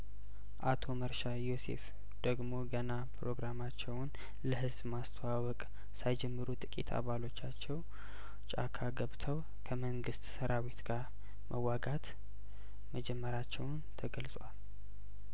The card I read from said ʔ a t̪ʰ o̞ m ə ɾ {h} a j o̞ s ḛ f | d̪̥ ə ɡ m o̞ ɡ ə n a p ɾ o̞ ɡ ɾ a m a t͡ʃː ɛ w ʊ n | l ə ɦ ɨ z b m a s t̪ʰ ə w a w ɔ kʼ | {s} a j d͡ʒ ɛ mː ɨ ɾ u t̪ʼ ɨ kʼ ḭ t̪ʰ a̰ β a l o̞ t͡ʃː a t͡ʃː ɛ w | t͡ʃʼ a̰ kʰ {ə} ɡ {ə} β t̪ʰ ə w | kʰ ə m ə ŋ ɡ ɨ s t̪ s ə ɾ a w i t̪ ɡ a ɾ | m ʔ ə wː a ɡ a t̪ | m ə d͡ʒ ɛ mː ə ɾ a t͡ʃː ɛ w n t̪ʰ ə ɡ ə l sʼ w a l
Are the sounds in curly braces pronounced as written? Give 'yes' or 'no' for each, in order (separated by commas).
no, yes, no, yes